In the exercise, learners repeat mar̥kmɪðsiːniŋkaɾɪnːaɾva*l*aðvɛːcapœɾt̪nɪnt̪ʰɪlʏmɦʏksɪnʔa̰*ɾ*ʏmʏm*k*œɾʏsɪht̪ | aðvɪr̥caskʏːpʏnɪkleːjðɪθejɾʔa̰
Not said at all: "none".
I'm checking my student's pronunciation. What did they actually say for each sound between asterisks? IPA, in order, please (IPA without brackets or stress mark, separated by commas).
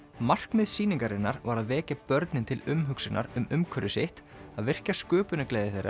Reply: ɾ, ɾ, kʰ